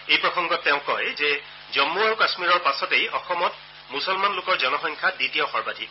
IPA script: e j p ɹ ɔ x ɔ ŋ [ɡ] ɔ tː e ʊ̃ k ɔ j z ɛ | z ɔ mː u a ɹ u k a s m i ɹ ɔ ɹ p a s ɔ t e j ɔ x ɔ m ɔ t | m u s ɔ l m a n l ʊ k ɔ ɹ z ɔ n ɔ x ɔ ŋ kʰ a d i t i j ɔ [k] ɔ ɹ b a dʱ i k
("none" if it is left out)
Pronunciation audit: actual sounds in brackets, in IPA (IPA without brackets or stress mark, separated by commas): ɡ, x